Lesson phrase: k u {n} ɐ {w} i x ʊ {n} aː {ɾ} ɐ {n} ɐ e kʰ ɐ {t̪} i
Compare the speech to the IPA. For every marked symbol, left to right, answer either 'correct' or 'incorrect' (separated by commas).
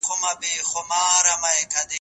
incorrect, incorrect, incorrect, correct, incorrect, incorrect